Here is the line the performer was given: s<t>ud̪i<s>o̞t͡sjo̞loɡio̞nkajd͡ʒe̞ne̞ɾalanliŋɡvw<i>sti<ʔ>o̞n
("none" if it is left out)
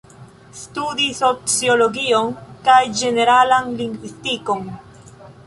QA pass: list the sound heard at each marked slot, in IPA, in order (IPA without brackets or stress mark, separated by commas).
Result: t, s, i, k